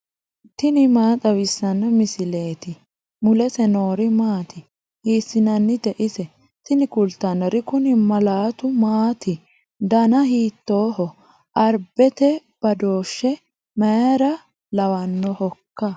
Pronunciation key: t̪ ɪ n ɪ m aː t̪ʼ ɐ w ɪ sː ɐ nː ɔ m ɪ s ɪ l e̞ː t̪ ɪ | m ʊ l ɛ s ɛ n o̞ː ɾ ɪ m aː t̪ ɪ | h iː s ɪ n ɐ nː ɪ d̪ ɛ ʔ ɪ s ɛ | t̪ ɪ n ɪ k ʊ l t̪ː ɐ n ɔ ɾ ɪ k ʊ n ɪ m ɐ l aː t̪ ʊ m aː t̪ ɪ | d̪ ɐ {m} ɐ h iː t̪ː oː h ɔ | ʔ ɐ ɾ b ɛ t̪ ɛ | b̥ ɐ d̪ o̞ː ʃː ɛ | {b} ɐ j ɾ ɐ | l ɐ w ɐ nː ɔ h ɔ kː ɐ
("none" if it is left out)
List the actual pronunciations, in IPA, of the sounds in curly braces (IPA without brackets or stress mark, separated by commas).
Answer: n, m